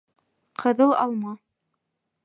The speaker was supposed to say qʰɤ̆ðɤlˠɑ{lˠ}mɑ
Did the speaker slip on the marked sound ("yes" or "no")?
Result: no